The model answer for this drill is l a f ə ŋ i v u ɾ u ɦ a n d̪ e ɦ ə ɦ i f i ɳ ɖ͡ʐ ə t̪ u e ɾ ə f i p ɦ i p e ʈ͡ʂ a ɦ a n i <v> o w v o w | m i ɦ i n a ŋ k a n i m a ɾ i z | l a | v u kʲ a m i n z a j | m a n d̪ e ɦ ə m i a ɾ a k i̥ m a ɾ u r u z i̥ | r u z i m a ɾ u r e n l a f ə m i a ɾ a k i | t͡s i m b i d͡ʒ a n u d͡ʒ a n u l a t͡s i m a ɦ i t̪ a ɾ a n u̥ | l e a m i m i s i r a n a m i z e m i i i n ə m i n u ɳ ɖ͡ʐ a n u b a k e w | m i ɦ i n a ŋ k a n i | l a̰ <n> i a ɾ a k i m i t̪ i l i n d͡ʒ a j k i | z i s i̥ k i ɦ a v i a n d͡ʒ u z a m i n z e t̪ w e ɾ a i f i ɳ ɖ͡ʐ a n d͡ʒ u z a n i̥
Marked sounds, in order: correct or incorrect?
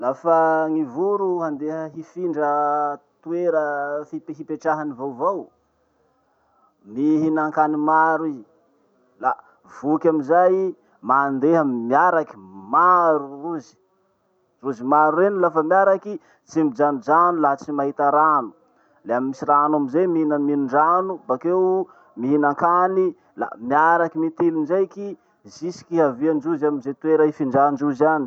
correct, incorrect

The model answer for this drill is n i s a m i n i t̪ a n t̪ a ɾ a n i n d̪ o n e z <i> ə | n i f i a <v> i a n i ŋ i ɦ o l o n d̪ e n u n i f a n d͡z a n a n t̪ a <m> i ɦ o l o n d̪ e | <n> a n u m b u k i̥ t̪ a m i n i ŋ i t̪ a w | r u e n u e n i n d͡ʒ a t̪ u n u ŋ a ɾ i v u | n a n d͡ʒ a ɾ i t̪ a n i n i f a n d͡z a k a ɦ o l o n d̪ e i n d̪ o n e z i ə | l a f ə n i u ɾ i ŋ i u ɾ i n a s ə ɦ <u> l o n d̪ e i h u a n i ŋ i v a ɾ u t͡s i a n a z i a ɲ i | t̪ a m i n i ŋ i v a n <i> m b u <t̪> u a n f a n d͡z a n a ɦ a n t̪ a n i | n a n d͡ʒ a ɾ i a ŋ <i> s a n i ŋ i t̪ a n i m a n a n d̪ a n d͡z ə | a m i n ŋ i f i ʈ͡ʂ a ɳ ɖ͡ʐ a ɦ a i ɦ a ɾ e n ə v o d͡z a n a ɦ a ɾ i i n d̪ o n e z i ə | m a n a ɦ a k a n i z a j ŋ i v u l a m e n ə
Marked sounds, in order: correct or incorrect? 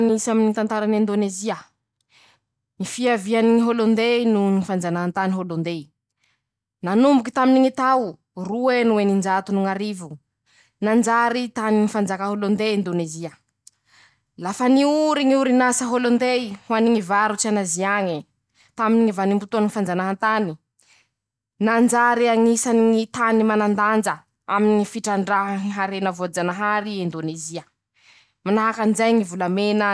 correct, correct, incorrect, correct, incorrect, correct, correct, correct

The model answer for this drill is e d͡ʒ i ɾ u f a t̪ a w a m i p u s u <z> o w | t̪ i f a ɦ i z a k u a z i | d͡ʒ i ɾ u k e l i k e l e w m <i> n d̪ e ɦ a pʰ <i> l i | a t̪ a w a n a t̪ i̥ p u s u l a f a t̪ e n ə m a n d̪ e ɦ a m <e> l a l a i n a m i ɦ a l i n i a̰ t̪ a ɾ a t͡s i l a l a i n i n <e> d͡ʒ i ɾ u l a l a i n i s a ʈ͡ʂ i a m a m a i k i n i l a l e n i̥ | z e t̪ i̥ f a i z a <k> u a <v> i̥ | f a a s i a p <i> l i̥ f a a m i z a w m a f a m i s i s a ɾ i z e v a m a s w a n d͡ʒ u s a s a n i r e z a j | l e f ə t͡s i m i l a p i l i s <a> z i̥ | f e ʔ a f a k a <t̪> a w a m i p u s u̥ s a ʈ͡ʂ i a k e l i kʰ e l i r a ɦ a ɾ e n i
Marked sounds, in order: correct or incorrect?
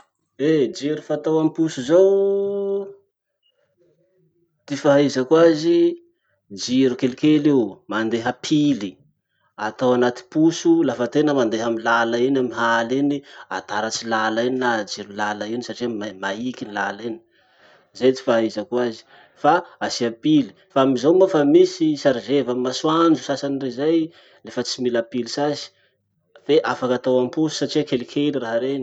correct, incorrect, correct, incorrect, incorrect, correct, incorrect, correct, correct, correct

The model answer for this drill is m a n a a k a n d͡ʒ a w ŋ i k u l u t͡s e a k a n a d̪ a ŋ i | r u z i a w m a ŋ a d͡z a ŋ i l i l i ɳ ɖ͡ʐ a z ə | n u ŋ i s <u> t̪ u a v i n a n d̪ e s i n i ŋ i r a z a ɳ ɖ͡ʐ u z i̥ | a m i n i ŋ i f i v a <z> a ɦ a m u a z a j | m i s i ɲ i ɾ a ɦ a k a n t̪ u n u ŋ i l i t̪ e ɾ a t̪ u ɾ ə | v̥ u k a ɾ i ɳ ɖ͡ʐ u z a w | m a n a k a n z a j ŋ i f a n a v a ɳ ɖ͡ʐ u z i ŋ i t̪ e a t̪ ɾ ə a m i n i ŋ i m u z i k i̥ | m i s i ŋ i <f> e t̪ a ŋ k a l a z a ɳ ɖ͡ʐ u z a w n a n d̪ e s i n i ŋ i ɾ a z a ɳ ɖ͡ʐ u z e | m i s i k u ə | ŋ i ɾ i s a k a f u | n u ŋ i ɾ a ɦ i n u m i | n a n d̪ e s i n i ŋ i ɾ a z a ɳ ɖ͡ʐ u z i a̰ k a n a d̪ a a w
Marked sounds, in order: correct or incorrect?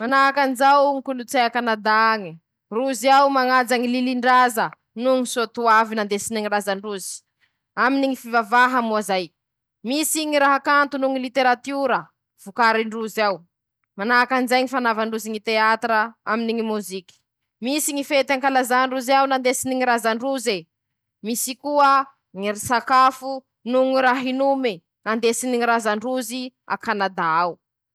incorrect, incorrect, correct

